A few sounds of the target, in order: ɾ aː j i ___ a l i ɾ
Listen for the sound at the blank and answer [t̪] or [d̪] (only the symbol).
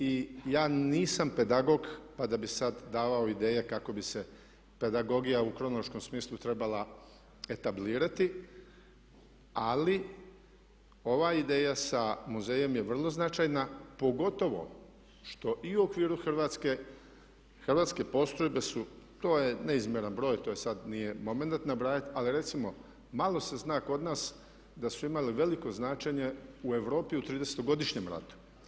t̪